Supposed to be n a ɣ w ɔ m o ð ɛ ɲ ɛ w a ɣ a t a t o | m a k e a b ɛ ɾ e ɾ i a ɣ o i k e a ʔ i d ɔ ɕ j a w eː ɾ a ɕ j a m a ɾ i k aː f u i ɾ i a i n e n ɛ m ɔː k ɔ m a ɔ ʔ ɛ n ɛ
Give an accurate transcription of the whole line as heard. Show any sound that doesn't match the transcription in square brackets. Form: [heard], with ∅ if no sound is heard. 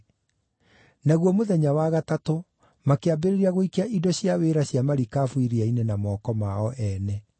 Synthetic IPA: n a ɣ w ɔ m o ð ɛ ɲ [a] w a ɣ a t a t o | m a k e a b [e] ɾ e ɾ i a ɣ o i k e a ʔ i d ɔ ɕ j a w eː ɾ a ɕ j a m a ɾ i k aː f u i ɾ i a i n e n [a] m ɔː k ɔ m a ɔ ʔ ɛ n ɛ